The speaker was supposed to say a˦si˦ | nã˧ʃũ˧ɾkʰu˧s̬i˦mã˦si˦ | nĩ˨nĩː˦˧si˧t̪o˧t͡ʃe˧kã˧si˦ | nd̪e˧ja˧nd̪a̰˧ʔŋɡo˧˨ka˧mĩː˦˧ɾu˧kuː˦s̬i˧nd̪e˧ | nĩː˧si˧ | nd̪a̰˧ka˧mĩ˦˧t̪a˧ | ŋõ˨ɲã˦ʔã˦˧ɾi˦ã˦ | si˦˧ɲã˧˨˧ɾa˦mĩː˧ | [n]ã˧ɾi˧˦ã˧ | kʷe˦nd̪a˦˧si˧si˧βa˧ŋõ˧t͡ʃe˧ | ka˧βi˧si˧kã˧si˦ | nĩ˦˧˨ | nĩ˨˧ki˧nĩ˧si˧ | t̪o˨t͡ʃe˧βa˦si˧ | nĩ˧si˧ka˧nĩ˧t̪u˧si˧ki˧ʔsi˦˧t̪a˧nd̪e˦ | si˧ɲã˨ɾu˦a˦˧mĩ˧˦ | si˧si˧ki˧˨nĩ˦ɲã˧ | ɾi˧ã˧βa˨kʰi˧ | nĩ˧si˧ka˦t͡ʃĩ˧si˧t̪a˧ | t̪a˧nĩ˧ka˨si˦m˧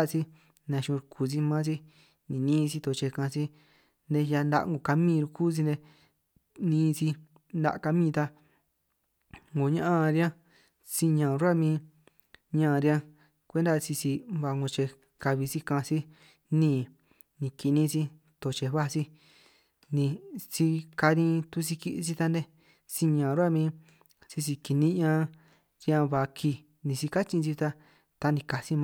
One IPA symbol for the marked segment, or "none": ɲ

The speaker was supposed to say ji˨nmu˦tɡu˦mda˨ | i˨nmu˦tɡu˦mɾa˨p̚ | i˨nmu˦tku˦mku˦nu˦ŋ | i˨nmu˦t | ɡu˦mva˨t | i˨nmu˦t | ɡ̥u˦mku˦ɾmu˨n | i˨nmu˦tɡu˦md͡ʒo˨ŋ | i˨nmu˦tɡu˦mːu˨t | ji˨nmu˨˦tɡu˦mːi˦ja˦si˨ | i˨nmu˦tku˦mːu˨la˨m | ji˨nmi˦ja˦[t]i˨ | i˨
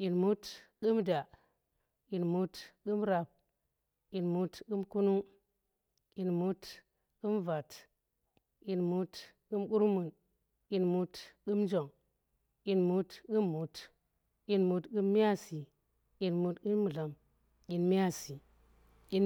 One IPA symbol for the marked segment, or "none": s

